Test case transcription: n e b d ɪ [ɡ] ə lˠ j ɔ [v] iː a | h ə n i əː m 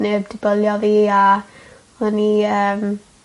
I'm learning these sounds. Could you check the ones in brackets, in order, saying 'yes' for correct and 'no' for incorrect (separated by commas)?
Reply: no, yes